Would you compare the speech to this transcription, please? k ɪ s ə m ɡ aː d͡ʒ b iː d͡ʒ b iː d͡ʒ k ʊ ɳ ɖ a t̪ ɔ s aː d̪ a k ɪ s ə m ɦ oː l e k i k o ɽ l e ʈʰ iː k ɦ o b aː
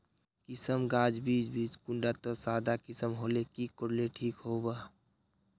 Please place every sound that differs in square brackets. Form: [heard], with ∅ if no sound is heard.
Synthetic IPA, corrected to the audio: k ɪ s ə m ɡ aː d͡ʒ b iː d͡ʒ b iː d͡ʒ k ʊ ɳ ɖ a t̪ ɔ s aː d̪ a k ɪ s ə m ɦ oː l e k i k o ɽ l e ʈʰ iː k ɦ o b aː